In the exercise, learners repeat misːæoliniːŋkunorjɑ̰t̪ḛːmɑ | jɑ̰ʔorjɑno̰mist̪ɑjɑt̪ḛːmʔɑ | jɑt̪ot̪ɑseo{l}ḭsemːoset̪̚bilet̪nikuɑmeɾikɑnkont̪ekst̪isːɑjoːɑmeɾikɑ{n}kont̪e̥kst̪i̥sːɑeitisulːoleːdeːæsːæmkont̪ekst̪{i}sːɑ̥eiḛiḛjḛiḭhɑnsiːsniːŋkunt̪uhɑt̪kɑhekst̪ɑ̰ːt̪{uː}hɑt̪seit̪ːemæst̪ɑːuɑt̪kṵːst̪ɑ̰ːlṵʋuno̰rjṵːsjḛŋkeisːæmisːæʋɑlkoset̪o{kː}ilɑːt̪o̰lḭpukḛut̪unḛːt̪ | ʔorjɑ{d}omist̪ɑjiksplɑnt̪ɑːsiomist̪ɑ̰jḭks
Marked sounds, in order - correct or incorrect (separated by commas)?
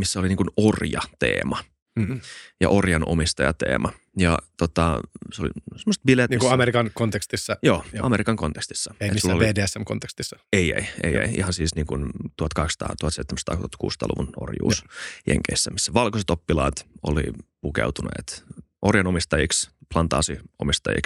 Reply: correct, incorrect, correct, incorrect, incorrect, incorrect